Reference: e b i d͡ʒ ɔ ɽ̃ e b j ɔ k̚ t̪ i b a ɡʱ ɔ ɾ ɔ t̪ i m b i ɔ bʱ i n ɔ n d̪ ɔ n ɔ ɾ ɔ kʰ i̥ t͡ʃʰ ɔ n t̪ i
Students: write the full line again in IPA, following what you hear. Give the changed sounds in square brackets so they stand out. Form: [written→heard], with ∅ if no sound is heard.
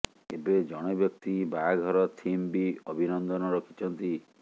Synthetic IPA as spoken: e b [i→e] d͡ʒ ɔ ɽ̃ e b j ɔ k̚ t̪ i b a ɡʱ ɔ ɾ ɔ [t̪→t̪ʰ] i m b i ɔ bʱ i n ɔ n d̪ ɔ n ɔ ɾ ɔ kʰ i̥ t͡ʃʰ ɔ n t̪ i